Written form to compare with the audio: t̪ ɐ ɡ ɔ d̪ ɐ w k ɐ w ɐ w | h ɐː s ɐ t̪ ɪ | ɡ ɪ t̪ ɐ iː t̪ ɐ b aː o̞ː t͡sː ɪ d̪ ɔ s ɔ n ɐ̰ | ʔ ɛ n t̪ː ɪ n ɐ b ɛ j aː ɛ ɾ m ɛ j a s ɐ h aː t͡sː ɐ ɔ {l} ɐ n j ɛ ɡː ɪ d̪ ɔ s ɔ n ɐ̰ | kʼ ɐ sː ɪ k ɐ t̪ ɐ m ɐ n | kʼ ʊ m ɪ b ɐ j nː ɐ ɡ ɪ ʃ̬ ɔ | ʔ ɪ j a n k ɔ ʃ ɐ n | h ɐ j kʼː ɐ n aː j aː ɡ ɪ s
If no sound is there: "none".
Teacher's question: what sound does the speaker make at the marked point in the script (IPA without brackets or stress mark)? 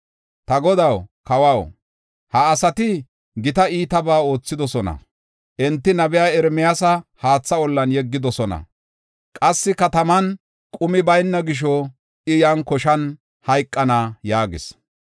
lː